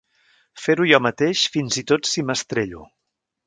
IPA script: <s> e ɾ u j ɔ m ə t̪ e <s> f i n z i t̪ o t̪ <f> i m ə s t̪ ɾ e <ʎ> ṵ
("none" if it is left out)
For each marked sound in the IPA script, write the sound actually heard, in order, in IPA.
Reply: f, ʃ, s, ʎ

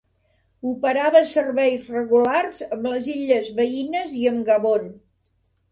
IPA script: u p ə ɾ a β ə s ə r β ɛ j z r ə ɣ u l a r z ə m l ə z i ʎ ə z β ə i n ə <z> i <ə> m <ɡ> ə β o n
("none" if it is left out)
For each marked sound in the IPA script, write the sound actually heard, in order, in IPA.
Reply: z, ə, ɡ

